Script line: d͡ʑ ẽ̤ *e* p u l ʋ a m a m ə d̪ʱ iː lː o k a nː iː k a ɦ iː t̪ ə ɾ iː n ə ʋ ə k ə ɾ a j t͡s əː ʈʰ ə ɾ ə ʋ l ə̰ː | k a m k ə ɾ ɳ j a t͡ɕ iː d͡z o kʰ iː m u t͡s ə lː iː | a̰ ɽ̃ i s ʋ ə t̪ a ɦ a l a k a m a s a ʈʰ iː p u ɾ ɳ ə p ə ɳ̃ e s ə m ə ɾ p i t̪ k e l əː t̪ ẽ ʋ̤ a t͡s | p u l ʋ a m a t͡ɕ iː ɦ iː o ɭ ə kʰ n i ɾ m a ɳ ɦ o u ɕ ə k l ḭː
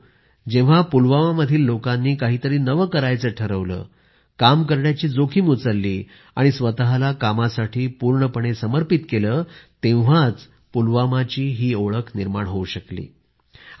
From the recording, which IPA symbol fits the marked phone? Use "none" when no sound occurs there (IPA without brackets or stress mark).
a